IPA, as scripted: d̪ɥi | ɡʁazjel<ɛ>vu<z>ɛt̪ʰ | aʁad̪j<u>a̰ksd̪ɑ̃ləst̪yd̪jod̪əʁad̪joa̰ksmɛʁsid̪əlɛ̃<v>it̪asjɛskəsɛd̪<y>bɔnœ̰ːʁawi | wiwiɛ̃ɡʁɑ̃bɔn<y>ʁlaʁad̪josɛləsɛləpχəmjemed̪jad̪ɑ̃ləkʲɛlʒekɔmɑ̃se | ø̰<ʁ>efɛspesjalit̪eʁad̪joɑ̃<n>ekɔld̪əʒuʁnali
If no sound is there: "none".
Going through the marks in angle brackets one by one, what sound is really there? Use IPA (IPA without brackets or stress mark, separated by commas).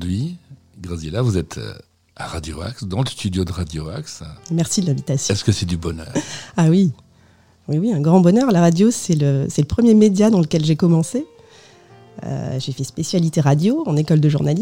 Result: a, z, o, v, y, œ, ʒ, n